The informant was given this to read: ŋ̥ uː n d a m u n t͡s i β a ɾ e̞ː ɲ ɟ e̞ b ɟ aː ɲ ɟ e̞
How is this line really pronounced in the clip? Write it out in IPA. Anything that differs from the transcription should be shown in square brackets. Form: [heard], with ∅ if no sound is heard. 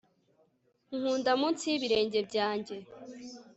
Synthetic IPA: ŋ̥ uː n d a m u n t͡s i β [i] ɾ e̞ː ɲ ɟ e̞ b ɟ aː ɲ ɟ e̞